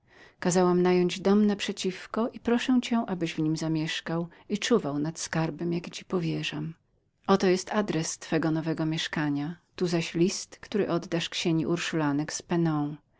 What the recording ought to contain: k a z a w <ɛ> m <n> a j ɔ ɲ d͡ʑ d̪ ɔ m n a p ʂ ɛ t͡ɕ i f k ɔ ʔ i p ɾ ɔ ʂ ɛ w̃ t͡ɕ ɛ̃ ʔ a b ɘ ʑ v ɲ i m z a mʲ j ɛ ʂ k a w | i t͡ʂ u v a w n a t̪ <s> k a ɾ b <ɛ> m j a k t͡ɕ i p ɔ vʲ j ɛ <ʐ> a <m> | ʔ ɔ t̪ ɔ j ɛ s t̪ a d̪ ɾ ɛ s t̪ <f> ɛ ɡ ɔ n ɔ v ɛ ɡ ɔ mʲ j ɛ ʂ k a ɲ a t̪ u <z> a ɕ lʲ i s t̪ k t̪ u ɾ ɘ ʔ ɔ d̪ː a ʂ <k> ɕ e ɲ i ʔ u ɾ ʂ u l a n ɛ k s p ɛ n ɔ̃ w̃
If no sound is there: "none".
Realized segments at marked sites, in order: a, n, s, ɛ, ʐ, m, f, z, k

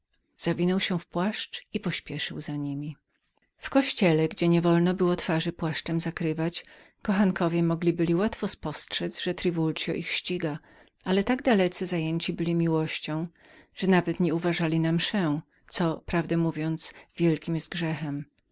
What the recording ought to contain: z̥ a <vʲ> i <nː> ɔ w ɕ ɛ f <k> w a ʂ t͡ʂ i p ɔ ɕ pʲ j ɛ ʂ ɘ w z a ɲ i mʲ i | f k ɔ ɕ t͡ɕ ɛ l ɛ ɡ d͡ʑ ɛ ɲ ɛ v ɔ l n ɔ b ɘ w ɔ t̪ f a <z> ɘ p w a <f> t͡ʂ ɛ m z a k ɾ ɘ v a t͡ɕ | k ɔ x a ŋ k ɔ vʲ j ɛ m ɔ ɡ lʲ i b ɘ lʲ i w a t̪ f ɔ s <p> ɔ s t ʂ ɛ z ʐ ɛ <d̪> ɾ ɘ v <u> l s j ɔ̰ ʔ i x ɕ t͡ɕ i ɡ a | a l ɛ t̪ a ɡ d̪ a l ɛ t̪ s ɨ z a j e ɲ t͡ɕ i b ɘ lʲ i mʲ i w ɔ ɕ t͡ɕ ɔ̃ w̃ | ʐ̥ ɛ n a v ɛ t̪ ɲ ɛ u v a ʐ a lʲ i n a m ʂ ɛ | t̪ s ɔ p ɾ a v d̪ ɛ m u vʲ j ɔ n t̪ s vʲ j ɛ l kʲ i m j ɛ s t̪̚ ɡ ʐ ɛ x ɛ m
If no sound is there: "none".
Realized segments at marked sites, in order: vʲ, n, p, ʐ, ʂ, p, t̪, u

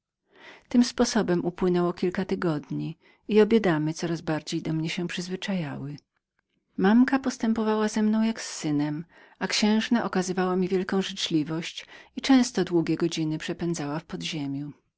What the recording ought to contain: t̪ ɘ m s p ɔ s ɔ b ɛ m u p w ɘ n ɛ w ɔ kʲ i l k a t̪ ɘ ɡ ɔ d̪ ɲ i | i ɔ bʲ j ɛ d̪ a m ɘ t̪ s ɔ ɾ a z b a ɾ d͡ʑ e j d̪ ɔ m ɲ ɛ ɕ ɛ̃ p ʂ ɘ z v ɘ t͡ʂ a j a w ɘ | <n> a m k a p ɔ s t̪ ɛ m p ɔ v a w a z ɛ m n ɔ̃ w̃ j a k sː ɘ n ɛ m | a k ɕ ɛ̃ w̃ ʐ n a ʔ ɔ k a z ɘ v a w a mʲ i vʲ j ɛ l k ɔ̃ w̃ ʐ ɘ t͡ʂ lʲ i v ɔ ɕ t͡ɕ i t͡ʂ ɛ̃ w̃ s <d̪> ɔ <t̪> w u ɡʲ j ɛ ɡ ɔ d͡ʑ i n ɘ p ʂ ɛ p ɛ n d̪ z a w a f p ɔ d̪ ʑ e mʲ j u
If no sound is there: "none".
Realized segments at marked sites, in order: m, t̪, d̪

